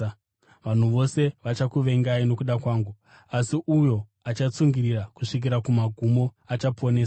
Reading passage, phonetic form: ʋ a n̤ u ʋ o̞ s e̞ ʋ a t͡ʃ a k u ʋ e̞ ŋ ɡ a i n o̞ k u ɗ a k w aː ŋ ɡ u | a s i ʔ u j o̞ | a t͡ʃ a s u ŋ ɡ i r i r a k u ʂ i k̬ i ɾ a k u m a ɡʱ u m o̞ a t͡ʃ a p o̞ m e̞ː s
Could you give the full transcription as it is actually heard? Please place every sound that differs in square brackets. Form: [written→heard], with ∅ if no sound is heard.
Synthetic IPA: ʋ a n̤ u ʋ o̞ s e̞ ʋ a t͡ʃ a k u ʋ e̞ ŋ ɡ a i n o̞ k u ɗ a k w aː ŋ ɡ u | a s i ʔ u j o̞ | a t͡ʃ a [s→t͡s] u ŋ ɡ i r i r a k u ʂ i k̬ i ɾ a k u m a ɡʱ u m o̞ a t͡ʃ a p o̞ [m→n] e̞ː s

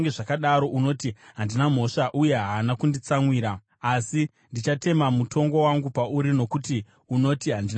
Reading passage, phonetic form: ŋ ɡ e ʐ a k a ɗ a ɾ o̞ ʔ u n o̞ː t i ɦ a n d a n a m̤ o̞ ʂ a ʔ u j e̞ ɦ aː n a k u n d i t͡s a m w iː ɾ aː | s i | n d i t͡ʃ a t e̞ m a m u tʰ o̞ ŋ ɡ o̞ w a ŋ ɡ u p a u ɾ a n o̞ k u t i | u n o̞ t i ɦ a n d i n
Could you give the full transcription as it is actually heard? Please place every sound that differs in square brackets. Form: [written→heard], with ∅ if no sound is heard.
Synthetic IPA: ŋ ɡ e ʐ a k a ɗ a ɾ o̞ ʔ u n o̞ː t i ɦ a n d [a→i] n a m̤ o̞ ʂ a ʔ u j e̞ ɦ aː n a k u n d i t͡s a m w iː ɾ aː | s i | n d i t͡ʃ a t e̞ m a m u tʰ o̞ ŋ ɡ o̞ w a ŋ ɡ u p a u ɾ [a→i] n o̞ k u t i | u n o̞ t i ɦ a n d i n

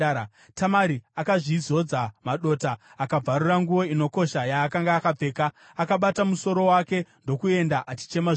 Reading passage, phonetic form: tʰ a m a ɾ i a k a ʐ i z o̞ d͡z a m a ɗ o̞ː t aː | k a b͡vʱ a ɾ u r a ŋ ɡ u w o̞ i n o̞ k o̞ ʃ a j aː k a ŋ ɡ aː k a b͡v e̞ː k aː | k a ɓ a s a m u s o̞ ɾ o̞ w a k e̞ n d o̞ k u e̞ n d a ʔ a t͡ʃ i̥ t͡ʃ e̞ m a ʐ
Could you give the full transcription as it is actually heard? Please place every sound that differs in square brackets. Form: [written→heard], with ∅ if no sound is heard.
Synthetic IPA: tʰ a m a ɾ i a k a ʐ i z o̞ d͡z a m a ɗ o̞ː t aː | k a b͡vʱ a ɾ u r a ŋ ɡ u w o̞ i n o̞ k o̞ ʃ a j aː k a ŋ ɡ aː k a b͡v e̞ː k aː | k a ɓ a [s→t] a m u s o̞ ɾ o̞ w a k e̞ n d o̞ k u e̞ n d a ʔ a t͡ʃ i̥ t͡ʃ e̞ m a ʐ

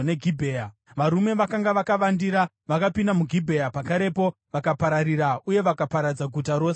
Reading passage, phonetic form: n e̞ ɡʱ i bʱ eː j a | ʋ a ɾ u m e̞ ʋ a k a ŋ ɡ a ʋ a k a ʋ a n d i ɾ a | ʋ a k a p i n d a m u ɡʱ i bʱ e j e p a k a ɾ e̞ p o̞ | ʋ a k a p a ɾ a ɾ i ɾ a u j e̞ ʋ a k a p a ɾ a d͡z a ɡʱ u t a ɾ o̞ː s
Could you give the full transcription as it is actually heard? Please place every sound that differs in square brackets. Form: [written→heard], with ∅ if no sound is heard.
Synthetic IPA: n e̞ ɡʱ i bʱ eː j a | ʋ a ɾ u m e̞ ʋ a k a ŋ ɡ a ʋ a k a ʋ a n d i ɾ a | ʋ a k a p i n d a m u ɡʱ i bʱ e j [e→a] p a k a ɾ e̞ p o̞ | ʋ a k a p a ɾ a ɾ i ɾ a u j e̞ ʋ a k a p a ɾ a d͡z a ɡʱ u t a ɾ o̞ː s

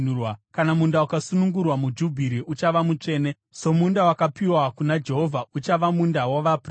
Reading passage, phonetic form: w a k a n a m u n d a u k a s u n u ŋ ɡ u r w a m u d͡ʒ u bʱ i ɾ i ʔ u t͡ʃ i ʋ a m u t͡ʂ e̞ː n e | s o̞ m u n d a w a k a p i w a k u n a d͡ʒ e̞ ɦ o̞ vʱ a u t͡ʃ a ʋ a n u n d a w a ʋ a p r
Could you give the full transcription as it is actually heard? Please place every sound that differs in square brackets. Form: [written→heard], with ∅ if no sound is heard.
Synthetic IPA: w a k a n a m u n d a u k a s u n u ŋ ɡ u r w a m u d͡ʒ u bʱ i ɾ i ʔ u t͡ʃ [i→a] ʋ a m u t͡ʂ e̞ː n e | s o̞ m u n d a w a k a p i w a k u n a d͡ʒ e̞ ɦ o̞ vʱ a u t͡ʃ a ʋ a [n→m] u n d a w a ʋ a p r

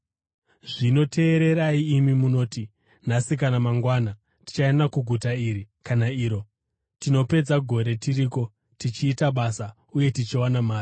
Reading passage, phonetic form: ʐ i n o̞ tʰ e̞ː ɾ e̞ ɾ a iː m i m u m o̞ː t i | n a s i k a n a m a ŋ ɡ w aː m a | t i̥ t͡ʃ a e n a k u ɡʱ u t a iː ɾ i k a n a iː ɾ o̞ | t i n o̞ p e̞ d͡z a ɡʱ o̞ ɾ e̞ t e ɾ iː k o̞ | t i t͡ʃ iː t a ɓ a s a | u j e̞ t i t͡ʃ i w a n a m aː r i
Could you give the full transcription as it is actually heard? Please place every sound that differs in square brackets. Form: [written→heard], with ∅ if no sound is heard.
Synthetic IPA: ʐ i n o̞ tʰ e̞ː ɾ e̞ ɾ a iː m i m u [m→n] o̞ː t i | n a s i k a n a m a ŋ ɡ w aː [m→n] a | t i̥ t͡ʃ a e n a k u ɡʱ u t a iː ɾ i k a n a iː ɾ o̞ | t i n o̞ p e̞ d͡z a ɡʱ o̞ ɾ e̞ t [e→i] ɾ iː k o̞ | t i t͡ʃ iː t a ɓ a s a | u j e̞ t i t͡ʃ i w a n a m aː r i

